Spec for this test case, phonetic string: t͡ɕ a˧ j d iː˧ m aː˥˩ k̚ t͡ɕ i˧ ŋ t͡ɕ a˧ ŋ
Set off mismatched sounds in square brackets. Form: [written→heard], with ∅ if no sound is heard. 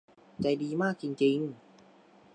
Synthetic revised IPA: t͡ɕ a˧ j d iː˧ m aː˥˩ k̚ t͡ɕ i˧ ŋ t͡ɕ [a˧→i˧] ŋ